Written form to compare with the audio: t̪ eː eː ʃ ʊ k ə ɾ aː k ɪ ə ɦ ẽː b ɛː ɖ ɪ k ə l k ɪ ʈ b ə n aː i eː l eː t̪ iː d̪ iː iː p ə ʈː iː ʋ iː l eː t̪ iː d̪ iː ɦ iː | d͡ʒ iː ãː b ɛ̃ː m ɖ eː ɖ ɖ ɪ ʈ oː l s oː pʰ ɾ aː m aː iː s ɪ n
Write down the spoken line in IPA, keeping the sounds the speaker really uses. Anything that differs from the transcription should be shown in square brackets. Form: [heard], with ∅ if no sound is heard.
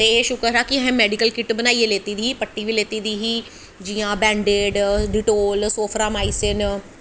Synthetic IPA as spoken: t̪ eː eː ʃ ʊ k ə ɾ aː k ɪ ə ɦ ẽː [m] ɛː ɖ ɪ k ə l k ɪ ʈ b ə n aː i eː l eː t̪ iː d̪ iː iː p ə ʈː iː ʋ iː l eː t̪ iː d̪ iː ɦ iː | d͡ʒ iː ãː b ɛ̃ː [ɳ] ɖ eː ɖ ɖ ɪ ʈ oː l s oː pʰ ɾ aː m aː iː s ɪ n